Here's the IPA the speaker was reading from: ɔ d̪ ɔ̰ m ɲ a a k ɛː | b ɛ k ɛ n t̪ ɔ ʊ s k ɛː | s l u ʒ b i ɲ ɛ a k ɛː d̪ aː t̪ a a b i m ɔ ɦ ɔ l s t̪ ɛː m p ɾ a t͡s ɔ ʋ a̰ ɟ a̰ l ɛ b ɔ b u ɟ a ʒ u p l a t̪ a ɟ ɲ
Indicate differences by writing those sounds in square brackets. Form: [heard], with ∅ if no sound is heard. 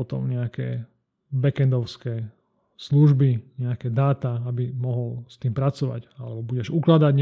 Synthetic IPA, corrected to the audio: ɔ [t̪] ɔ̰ m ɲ [ɛ] a k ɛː | b ɛ k ɛ n [d̪] ɔ ʊ s k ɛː | s l u ʒ b i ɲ ɛ a k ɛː d̪ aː t̪ a a b i m ɔ ɦ ɔ l s t̪ [iː] m p ɾ a t͡s ɔ ʋ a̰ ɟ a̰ l ɛ b ɔ b u ɟ [ɛ] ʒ u [k] l a [d̪] a ɟ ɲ